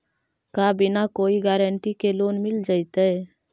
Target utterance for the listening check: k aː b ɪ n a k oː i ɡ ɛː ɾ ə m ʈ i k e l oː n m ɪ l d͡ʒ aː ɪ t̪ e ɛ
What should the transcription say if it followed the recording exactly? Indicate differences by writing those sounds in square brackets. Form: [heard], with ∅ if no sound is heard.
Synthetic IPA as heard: k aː b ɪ n a k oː i ɡ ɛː ɾ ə [ɳ] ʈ i k e l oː n m ɪ l d͡ʒ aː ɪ t̪ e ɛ